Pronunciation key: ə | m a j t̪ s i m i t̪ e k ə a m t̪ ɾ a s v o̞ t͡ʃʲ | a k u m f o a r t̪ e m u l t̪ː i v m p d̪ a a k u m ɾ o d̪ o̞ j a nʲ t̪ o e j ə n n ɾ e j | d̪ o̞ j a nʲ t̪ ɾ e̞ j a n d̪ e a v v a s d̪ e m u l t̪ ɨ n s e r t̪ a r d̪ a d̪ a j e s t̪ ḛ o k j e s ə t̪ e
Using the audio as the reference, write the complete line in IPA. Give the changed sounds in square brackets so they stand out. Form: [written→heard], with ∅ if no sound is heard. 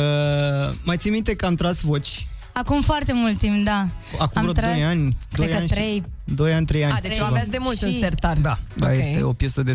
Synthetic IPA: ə | m a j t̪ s i m i t̪ e k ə a m t̪ ɾ a s v o̞ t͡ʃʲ | a k u m f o a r t̪ e m u l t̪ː i [v→∅] m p d̪ a a k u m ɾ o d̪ o̞ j a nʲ [t̪→d̪] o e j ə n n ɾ e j | d̪ o̞ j a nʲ t̪ ɾ e̞ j a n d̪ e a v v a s d̪ e m u l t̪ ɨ n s e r t̪ a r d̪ a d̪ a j e s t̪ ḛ o [k→p] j e s ə [t̪→d̪] e